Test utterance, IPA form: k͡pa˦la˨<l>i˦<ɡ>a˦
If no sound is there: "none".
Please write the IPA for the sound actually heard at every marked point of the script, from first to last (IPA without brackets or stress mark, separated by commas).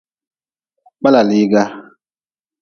l, ɡ